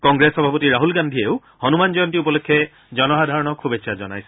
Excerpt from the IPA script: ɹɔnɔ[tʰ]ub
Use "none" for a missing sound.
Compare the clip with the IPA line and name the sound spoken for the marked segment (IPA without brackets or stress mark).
kʰ